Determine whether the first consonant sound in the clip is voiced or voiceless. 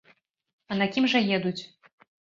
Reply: voiced